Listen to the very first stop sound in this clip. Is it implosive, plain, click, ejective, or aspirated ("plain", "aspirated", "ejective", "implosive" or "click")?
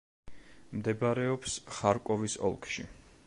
plain